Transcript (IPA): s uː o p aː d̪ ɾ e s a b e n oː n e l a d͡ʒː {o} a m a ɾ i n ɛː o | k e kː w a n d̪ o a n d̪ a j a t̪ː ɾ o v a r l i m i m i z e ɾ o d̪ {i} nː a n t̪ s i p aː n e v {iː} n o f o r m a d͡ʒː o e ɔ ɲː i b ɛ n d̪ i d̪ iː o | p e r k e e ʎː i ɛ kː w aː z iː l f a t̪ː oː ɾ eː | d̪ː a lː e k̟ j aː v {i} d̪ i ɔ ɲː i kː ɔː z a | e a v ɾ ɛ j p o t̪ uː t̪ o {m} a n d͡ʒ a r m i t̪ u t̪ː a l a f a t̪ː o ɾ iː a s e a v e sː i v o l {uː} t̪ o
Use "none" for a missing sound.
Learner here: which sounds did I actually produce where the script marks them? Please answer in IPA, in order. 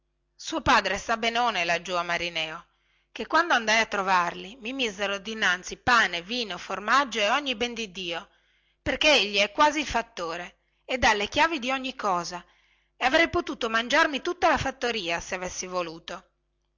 u, i, iː, i, m, uː

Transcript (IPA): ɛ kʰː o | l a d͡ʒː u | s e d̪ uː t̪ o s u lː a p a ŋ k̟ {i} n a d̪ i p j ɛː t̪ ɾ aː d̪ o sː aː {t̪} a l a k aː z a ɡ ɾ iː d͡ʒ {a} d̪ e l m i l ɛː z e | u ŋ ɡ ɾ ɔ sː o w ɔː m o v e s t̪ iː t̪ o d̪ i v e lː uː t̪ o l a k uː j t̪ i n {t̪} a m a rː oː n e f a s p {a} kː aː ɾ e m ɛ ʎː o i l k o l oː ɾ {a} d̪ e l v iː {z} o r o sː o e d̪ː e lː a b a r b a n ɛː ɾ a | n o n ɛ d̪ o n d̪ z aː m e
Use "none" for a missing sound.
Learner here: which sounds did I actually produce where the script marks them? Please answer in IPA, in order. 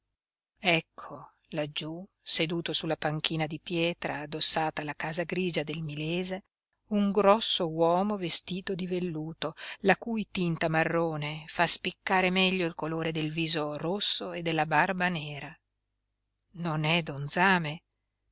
iː, t̪, a, t̪, i, e, z

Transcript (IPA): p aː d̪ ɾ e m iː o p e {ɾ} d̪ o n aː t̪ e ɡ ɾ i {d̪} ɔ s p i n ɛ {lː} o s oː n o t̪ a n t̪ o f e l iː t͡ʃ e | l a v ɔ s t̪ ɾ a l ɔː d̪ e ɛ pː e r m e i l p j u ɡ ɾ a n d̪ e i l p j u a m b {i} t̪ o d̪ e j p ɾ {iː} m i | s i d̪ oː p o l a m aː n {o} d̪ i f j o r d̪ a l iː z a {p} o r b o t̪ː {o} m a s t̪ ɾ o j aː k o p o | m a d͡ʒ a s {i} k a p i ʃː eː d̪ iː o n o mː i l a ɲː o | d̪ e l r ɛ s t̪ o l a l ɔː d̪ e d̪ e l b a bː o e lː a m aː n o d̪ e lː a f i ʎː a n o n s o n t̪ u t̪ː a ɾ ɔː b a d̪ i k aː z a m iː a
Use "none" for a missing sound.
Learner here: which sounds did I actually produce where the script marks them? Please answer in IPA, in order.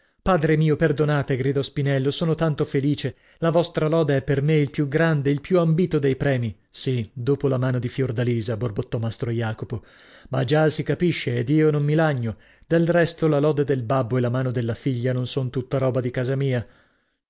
r, d̪, lː, iː, ɛː, o, b, ɔ, i

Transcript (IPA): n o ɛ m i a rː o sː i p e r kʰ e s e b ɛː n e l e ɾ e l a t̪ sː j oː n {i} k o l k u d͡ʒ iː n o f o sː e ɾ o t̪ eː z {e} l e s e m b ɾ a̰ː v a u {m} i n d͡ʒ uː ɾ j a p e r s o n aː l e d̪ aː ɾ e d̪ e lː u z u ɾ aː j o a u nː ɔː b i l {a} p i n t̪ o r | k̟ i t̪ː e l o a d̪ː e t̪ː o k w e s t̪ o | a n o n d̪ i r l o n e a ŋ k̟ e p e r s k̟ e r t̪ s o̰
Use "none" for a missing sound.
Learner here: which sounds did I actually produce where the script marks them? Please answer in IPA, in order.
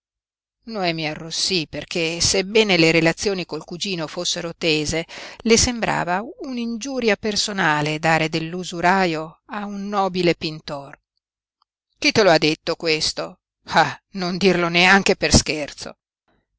i, e, n, e

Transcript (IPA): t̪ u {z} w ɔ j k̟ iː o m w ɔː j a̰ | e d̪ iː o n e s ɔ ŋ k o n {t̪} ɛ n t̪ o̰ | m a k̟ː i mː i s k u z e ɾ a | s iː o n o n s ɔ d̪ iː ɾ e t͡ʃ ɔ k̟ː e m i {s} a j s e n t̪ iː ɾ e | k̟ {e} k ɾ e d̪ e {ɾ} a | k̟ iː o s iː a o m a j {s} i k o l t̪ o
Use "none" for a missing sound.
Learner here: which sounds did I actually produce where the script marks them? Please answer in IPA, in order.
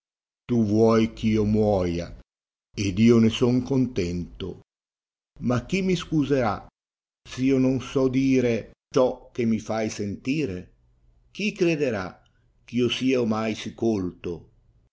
v, t̪, f, i, ɾ, s

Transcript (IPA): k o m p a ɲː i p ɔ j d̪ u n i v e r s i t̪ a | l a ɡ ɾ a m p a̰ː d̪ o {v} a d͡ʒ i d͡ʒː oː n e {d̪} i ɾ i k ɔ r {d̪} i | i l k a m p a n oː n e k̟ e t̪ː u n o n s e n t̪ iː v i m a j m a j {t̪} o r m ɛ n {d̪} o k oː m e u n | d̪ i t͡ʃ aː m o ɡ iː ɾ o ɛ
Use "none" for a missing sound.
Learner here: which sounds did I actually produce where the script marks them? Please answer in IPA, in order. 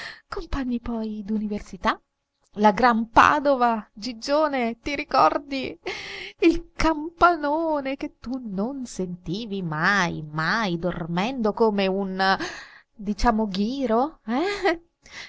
v, t̪, d̪, d̪, d̪

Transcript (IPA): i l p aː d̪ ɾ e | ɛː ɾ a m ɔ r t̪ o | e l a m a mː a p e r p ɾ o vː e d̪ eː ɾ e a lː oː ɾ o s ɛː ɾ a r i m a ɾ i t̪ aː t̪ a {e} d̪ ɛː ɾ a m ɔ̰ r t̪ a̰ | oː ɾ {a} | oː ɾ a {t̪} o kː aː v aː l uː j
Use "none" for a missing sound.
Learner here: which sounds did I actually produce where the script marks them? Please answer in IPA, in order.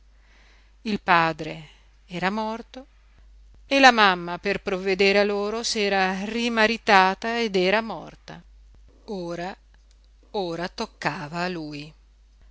e, a, t̪

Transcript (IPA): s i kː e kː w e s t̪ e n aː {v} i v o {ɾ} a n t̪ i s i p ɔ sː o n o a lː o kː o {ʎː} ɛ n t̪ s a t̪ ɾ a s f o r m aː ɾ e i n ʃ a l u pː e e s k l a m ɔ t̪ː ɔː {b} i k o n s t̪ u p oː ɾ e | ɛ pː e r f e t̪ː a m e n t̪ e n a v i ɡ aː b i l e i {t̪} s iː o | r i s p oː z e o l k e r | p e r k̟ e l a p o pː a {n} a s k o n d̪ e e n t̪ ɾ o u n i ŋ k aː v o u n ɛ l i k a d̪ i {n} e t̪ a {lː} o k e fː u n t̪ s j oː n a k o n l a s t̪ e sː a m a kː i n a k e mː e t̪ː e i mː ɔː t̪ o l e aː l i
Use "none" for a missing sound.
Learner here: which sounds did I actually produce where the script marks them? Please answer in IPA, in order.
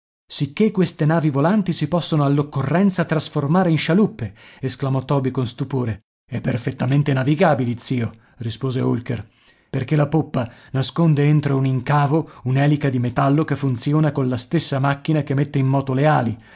v, l, rː, b, t̪, n, m, lː

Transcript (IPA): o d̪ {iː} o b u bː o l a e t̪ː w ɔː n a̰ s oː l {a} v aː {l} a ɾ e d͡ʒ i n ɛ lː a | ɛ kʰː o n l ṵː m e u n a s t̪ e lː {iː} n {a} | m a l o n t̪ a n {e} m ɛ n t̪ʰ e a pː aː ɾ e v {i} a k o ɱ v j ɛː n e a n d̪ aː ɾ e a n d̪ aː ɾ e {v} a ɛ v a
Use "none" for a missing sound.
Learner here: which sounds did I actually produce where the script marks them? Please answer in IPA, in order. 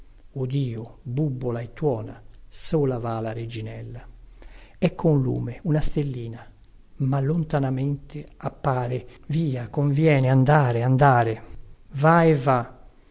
iː, a, l, iː, a, a, iː, v

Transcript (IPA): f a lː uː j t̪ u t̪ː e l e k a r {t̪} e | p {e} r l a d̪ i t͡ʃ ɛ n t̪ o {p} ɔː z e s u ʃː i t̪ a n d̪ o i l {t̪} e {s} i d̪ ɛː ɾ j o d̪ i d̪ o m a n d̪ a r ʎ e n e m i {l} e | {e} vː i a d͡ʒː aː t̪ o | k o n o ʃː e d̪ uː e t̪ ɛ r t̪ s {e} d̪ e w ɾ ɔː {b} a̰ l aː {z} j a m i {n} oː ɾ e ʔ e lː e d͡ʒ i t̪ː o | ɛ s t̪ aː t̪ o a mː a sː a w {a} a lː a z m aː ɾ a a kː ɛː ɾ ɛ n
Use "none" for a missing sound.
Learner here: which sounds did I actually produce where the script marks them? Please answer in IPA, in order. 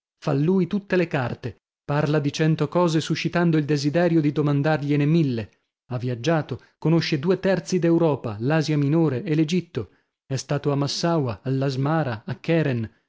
t̪, a, k, d̪, z, lː, a, i, p, z, n, a

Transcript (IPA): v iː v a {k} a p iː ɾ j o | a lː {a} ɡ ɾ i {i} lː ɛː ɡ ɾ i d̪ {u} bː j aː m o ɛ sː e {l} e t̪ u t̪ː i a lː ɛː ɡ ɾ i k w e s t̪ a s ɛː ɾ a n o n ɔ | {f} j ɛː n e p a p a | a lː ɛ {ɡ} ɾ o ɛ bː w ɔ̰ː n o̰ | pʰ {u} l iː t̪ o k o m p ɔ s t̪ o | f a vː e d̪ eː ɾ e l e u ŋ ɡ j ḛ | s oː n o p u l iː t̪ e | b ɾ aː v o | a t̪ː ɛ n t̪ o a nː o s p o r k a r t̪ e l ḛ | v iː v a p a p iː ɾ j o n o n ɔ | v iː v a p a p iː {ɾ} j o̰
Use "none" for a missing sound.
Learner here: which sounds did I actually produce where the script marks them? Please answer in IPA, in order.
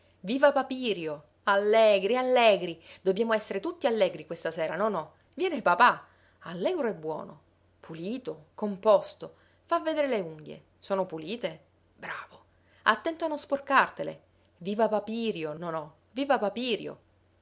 p, ɛ, a, o, ɾ, v, ɡ, u, ɾ

